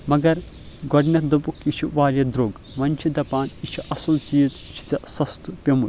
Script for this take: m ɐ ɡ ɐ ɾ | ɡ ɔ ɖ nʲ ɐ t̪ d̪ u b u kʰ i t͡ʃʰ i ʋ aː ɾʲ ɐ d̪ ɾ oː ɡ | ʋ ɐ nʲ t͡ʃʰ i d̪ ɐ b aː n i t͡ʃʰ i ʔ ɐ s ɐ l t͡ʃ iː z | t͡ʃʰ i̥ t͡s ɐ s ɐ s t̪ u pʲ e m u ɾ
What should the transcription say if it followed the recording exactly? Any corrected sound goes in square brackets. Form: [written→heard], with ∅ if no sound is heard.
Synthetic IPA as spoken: m ɐ ɡ ɐ ɾ | ɡ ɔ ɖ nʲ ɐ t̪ d̪ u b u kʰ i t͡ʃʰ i ʋ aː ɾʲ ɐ d̪ ɾ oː ɡ | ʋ ɐ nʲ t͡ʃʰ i d̪ ɐ [b→p] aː n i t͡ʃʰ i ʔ ɐ s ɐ l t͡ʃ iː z | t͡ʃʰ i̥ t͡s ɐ s ɐ s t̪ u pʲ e m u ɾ